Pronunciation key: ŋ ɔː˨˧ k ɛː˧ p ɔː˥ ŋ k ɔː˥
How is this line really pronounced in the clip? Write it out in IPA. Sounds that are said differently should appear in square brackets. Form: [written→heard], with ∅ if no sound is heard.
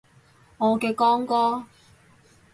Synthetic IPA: ŋ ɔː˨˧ k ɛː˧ [p→k] ɔː˥ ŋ k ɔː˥